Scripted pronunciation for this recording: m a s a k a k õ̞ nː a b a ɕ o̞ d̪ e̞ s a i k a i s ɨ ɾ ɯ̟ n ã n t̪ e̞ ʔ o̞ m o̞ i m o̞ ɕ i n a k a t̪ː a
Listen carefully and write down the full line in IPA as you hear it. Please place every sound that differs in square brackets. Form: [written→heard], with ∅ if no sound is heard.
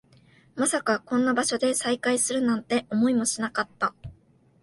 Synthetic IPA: m a s a k a k õ̞ nː a b a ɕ o̞ d̪ e̞ s a i k a i s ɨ ɾ ɯ̟ n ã n t̪ e̞ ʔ o̞ m o̞ i m o̞ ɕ i n a k a t̪ː a